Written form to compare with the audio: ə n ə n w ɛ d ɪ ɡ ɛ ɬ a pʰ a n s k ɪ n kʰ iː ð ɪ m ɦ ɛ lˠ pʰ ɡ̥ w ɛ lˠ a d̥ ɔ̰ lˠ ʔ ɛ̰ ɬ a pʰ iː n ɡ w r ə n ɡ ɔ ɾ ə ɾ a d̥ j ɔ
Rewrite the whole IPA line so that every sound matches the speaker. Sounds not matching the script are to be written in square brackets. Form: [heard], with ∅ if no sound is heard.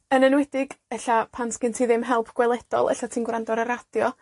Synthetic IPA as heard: ə n ə n w ɛ d ɪ ɡ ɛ ɬ a pʰ a n s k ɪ n [tʰ] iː ð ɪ m ɦ ɛ lˠ pʰ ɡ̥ w ɛ lˠ [ɛ] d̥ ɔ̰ lˠ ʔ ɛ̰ ɬ a [tʰ] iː n ɡ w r [a] n [d] ɔ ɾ ə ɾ a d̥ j ɔ